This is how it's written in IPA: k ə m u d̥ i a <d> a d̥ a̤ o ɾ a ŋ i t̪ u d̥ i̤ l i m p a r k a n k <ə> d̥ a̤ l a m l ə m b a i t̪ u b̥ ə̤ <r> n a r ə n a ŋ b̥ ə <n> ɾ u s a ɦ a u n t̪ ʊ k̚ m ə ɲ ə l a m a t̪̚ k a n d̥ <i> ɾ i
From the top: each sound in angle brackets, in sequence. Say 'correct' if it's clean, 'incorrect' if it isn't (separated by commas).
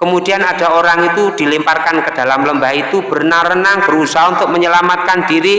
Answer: incorrect, correct, correct, incorrect, correct